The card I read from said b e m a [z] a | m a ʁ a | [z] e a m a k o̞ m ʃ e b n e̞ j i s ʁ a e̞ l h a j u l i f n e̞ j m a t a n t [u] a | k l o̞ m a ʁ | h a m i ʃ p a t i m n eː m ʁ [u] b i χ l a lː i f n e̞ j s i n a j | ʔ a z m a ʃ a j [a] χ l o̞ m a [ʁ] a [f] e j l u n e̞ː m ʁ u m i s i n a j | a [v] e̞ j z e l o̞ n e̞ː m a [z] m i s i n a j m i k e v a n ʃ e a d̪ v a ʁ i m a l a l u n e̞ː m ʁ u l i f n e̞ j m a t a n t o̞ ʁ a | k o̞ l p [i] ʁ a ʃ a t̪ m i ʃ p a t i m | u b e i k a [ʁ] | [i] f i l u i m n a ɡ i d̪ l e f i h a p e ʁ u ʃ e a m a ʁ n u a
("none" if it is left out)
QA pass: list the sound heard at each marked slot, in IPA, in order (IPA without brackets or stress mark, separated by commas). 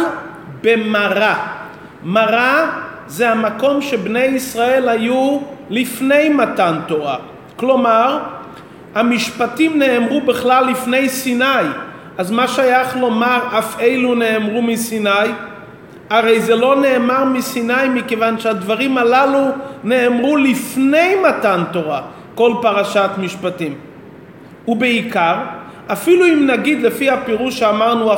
ʁ, z, o, u, a, ʁ, f, ʁ, ʁ, a, ʁ, a